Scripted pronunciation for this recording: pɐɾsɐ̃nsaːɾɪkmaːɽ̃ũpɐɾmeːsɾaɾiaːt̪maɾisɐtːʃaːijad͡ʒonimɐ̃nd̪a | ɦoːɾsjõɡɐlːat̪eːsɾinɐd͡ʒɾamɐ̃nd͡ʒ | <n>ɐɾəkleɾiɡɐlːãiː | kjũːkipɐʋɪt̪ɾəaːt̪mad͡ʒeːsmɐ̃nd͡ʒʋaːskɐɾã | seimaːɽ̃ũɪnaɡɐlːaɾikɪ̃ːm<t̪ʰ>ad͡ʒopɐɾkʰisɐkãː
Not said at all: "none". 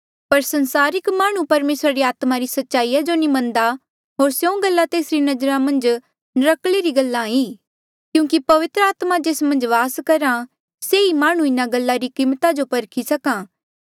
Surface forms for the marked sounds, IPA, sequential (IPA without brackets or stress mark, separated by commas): n, t̪